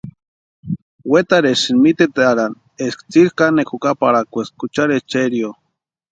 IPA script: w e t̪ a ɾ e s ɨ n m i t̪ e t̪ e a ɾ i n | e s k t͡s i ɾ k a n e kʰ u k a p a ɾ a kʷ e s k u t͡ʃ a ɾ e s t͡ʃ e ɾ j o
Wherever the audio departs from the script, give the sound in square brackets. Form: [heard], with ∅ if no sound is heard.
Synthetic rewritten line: w e t̪ a ɾ e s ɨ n m i t̪ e t̪ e a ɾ [a] n | e s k t͡s i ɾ k a n e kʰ u k a p a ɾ a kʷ e s k u t͡ʃ a ɾ e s t͡ʃ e ɾ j o